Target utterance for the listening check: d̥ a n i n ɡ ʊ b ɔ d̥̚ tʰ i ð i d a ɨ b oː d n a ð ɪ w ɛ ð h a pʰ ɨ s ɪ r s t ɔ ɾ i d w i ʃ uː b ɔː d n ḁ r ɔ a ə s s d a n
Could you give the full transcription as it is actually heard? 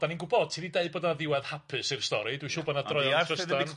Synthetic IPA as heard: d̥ a n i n ɡ ʊ b ɔ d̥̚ tʰ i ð i d e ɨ b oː d n a ð ɪ w ɛ ð h a pʰ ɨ s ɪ r s t ɔ ɾ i d w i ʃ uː b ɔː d n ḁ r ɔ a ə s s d a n